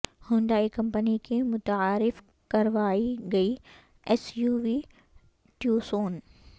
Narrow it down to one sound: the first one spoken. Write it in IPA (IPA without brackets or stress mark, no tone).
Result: h